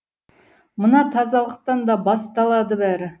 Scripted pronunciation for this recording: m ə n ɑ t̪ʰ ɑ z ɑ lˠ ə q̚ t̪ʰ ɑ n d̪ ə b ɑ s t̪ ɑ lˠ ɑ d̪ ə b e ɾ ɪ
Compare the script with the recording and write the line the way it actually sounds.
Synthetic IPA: m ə n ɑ t̪ʰ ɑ z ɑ lˠ ə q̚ t̪ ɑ n d̪ ɑ b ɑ s t̪ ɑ lˠ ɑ d̪ ə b æ ɾ ɪ